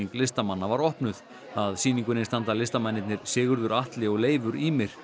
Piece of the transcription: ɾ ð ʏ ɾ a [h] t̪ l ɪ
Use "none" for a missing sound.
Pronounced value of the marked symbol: h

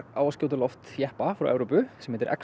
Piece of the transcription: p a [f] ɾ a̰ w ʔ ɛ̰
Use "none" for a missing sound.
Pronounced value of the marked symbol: f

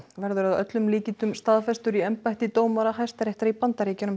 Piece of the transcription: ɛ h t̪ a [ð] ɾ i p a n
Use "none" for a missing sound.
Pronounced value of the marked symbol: none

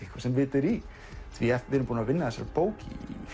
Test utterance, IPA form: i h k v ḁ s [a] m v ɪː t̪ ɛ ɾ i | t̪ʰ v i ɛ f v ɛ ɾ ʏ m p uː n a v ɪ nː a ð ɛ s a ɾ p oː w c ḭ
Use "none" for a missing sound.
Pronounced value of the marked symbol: ɛ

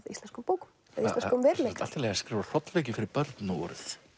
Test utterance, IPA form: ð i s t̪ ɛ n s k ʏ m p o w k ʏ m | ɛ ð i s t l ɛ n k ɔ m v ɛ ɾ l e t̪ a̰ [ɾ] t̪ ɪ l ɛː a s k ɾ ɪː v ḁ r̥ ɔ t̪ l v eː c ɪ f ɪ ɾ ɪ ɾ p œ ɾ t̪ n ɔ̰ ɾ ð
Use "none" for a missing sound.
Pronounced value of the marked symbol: l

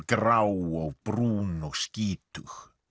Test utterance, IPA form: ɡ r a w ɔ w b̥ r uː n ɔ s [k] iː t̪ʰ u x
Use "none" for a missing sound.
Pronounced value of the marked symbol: k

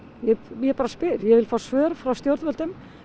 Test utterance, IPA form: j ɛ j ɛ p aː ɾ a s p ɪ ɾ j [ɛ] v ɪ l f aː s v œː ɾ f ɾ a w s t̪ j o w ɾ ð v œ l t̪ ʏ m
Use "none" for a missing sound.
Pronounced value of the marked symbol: ɛ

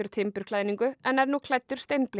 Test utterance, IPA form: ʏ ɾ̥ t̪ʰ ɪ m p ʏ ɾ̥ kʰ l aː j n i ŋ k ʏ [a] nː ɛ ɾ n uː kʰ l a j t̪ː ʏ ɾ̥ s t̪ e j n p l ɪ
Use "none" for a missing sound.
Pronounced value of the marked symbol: ɛ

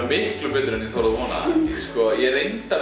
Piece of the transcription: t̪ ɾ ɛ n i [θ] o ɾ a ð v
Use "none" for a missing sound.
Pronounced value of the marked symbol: θ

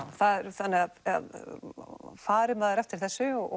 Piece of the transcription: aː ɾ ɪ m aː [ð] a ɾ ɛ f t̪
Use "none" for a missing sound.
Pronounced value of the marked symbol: ð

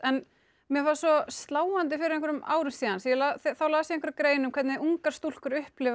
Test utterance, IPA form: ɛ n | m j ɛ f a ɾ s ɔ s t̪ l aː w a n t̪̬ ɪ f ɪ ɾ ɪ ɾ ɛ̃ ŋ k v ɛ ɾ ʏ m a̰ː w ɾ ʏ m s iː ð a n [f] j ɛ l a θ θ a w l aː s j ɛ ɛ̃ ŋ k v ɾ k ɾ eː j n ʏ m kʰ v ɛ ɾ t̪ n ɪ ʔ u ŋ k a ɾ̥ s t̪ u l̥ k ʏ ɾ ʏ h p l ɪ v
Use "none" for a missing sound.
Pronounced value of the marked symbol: s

